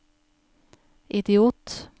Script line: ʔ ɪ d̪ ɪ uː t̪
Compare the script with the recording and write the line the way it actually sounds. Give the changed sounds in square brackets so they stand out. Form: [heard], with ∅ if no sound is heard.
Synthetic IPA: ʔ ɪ d̪ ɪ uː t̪

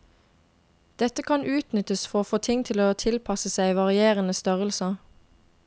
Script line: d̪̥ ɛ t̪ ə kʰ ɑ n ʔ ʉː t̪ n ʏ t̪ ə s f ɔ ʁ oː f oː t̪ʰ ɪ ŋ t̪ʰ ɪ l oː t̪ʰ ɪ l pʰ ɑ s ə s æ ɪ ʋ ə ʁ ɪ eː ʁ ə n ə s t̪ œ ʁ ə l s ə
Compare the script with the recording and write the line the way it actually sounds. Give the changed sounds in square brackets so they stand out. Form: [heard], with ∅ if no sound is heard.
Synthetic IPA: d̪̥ ɛ t̪ ə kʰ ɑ n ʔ ʉː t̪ n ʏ t̪ ə s f ɔ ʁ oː f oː t̪ʰ ɪ ŋ t̪ʰ ɪ l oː t̪ʰ ɪ l pʰ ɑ s ə s æ ɪ ʋ [ɑ] ʁ ɪ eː ʁ ə n ə s t̪ œ ʁ ə l s ə

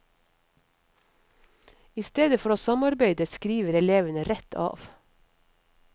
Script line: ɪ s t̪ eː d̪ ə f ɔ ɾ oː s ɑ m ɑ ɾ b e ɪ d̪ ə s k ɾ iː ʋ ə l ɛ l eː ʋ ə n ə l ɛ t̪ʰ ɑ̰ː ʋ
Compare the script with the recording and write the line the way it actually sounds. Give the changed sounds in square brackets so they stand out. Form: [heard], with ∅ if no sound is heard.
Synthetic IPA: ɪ s t̪ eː d̪ ə f ɔ ɾ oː s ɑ m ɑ ɾ b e ɪ d̪ ə s k ɾ iː ʋ ə [ɾ] ɛ l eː ʋ ə n ə [ɾ] ɛ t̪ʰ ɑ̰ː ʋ

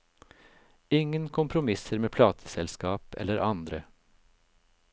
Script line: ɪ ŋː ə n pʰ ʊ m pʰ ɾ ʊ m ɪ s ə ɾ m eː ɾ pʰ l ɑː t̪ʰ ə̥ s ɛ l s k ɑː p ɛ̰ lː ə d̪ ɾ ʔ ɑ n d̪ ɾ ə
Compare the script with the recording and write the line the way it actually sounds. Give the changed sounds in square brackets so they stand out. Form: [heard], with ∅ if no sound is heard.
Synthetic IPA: ɪ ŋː ə n [kʰ] ʊ m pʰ ɾ ʊ m ɪ s ə ɾ m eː [∅] pʰ l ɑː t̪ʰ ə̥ s ɛ l s k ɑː p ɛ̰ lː ə [∅] ɾ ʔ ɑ n d̪ ɾ ə

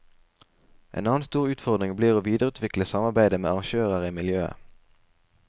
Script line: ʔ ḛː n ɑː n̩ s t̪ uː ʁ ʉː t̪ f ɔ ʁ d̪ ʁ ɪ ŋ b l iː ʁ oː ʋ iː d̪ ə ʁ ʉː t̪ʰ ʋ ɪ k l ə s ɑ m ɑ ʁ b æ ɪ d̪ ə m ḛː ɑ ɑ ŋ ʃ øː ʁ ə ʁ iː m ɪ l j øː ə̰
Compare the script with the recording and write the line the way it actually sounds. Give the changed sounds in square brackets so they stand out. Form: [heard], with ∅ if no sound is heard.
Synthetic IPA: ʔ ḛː n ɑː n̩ s t̪ uː ʁ ʉː t̪ f ɔ ʁ d̪ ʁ ɪ ŋ b l iː ʁ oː ʋ iː d̪ ə ʁ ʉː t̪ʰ ʋ ɪ k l ə s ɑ m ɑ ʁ b æ ɪ d̪ ə m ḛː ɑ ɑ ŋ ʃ øː ʁ ə ʁ iː m ɪ l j øː ə̰

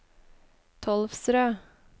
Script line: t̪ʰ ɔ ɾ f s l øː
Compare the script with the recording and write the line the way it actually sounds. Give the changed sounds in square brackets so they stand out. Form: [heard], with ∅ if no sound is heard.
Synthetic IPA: t̪ʰ ɔ [l] f s [ɾ] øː

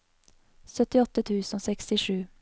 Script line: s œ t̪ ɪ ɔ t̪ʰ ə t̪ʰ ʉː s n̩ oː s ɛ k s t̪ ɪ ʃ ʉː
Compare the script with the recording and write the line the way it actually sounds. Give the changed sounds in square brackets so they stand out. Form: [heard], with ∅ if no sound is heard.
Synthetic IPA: s œ t̪ ɪ ɔ [t̪] ə t̪ʰ ʉː s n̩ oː s ɛ k s t̪ ɪ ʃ ʉː

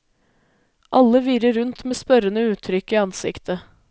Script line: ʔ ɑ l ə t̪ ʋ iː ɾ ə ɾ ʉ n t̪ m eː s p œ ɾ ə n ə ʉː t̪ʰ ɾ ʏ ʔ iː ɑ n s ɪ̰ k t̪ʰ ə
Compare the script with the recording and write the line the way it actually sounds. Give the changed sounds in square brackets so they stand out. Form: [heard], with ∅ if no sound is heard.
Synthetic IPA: ʔ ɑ l ə [∅] ʋ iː ɾ ə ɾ ʉ n t̪ m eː s p œ ɾ ə n ə ʉː t̪ʰ ɾ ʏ [k] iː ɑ n s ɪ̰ k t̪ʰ ə

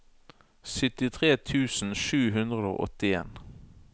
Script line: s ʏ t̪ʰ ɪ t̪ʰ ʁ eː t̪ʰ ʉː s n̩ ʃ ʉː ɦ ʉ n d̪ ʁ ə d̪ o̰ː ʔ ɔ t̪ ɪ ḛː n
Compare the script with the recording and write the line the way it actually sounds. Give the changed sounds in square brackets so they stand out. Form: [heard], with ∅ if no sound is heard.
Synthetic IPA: s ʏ [t̪] ɪ t̪ʰ ʁ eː t̪ʰ ʉː s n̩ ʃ ʉː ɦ ʉ n d̪ ʁ ə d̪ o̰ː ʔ ɔ t̪ ɪ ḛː n

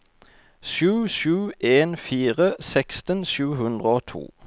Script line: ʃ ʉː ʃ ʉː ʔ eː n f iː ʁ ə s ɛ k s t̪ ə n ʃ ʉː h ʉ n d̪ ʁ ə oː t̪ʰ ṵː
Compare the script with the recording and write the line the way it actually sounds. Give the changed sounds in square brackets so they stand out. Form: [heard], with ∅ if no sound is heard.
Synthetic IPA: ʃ ʉː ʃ ʉː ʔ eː n f iː ʁ ə s ɛ k s t̪ ə n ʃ ʉː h ʉ n d̪ ʁ ə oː t̪ʰ ṵː

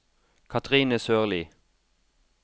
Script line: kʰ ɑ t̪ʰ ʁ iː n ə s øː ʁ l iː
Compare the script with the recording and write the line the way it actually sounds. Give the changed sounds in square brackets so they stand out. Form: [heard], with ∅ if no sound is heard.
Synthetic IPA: kʰ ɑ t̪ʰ ʁ iː n ə s øː ʁ l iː

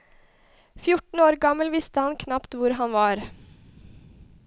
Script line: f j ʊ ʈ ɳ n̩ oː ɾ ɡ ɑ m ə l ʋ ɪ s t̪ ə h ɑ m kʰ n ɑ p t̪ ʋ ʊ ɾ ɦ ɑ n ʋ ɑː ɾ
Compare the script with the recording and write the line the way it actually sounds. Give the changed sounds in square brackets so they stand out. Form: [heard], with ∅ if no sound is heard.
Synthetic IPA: f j ʊ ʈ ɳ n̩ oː ɾ ɡ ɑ m ə l ʋ ɪ s t̪ ə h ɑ [n] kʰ n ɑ p t̪ ʋ ʊ ɾ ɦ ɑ n ʋ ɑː ɾ

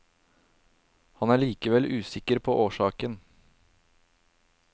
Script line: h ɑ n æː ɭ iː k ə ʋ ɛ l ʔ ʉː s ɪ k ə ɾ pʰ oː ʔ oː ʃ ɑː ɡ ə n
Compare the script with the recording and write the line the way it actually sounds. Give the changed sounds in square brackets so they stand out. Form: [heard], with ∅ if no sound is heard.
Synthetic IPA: h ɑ n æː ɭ iː k ə ʋ ɛ l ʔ ʉː s ɪ k ə ɾ pʰ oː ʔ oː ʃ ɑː [k] ə n

